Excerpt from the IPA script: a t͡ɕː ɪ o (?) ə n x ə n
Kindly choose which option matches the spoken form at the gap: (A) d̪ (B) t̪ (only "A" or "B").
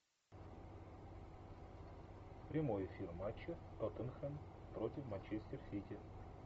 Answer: B